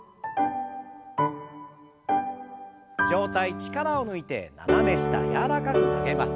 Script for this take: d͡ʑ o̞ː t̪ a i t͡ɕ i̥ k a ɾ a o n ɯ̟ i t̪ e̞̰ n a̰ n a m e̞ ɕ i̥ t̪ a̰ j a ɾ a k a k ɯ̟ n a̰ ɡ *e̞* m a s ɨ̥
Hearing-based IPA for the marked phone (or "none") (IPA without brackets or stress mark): e̞